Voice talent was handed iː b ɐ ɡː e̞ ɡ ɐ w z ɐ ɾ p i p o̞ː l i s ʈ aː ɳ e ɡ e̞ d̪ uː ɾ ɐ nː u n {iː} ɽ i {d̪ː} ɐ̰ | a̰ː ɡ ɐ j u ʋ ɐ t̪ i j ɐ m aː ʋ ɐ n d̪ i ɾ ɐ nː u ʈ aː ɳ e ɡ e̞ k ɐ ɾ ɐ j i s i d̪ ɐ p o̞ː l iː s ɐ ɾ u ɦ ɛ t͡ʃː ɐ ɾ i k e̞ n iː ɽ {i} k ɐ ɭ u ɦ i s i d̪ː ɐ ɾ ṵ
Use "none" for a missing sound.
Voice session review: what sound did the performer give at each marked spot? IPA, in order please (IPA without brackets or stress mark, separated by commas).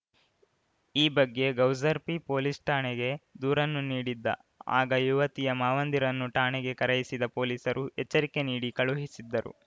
iː, d̪ː, i